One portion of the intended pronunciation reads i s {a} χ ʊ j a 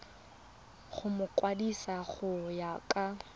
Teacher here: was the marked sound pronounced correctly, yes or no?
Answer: yes